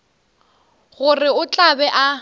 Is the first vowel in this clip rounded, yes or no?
yes